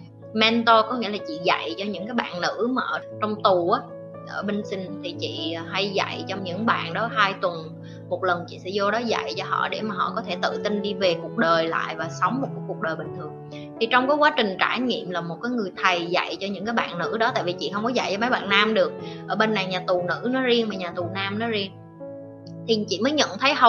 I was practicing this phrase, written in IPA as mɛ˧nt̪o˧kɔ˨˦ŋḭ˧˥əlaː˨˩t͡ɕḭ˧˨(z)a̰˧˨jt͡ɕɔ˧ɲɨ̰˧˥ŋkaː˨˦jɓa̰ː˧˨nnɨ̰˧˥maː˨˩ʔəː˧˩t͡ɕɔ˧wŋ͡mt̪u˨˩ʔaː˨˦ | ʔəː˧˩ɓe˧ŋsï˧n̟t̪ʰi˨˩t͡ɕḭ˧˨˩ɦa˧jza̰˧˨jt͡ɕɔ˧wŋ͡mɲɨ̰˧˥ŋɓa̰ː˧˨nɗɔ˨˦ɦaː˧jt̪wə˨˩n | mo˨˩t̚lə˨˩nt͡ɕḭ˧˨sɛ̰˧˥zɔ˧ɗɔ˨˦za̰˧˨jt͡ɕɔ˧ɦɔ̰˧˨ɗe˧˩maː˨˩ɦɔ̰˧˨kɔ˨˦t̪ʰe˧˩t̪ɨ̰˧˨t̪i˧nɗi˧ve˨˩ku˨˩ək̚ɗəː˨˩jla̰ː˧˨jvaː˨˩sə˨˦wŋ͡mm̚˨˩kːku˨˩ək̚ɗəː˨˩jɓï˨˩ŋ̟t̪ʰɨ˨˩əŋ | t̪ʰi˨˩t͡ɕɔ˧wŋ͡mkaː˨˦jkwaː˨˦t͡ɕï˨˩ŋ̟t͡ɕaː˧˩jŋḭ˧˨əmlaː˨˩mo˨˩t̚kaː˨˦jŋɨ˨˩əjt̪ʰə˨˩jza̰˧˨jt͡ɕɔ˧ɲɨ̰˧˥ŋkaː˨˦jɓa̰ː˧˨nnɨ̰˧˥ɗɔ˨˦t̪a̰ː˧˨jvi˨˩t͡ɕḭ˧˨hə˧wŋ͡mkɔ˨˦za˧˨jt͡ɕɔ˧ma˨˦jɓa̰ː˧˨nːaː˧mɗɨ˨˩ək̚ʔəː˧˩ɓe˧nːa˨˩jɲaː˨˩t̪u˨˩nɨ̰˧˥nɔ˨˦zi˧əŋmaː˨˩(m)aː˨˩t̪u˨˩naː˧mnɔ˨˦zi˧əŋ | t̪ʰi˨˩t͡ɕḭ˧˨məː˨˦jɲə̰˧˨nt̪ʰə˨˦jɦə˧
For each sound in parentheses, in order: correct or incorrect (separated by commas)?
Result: correct, incorrect